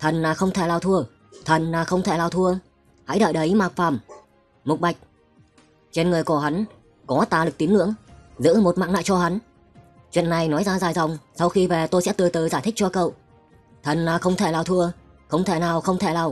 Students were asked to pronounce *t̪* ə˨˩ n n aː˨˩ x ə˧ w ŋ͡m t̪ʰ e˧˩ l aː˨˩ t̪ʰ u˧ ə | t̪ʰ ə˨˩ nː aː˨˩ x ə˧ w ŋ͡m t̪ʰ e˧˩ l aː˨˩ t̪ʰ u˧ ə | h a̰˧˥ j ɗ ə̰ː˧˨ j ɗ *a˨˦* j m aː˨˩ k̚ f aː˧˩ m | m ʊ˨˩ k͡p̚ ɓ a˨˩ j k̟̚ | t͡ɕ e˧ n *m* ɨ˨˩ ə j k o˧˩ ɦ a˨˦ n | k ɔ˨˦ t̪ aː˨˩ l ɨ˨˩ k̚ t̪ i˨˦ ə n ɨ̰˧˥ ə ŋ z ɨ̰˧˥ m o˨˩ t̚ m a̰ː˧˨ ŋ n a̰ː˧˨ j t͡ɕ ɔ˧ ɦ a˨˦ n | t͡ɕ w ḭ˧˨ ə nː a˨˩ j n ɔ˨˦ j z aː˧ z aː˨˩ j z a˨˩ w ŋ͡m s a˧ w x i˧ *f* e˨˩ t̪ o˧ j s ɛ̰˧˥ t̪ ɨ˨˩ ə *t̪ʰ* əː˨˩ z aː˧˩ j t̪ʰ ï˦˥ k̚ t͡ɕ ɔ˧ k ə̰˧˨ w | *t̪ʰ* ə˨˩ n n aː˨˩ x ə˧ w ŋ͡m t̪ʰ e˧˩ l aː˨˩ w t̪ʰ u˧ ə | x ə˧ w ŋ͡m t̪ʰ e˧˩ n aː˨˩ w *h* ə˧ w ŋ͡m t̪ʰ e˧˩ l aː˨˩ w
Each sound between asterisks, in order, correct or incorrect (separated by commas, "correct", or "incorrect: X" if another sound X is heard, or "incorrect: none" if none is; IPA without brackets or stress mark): incorrect: t̪ʰ, incorrect: ə˨˦, incorrect: ŋ, incorrect: v, incorrect: t̪, correct, incorrect: x